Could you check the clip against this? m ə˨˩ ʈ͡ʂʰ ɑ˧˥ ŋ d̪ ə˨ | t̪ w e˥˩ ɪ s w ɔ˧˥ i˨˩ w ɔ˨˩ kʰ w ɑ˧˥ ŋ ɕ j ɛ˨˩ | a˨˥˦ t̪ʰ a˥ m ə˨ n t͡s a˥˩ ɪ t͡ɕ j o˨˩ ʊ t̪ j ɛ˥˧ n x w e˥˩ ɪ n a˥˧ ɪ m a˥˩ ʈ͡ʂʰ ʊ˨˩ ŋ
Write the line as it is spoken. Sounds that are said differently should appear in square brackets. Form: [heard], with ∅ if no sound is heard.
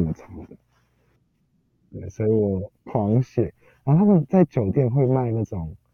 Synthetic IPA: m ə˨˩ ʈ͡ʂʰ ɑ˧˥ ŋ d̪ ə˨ | t̪ w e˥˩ ɪ s w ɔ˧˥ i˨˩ w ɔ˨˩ kʰ w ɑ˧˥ ŋ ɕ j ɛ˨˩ | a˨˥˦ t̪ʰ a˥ m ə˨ n t͡s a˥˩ ɪ t͡ɕ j o˨˩ ʊ t̪ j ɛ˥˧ n x w [e˥˧] ɪ [m] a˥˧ ɪ [n] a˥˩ [ʈ͡ʂ] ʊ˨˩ ŋ